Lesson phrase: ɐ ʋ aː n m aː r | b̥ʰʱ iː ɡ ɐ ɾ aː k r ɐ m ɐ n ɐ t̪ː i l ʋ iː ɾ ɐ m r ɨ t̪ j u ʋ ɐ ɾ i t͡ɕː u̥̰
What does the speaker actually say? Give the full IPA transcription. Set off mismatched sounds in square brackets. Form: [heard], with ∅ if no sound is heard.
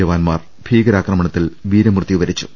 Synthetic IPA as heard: ɐ ʋ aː n m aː r | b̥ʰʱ iː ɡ ɐ ɾ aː k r ɐ m ɐ [ɳ] ɐ t̪ː i l ʋ iː ɾ ɐ m r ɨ t̪ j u ʋ ɐ ɾ i t͡ɕː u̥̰